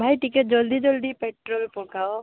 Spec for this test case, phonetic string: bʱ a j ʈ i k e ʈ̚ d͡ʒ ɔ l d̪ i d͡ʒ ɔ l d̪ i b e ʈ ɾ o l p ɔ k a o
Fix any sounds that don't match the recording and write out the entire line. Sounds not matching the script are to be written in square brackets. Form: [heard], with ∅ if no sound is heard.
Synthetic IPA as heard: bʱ a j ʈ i k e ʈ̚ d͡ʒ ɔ l d̪ i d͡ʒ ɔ l d̪ i [p] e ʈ ɾ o l p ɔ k a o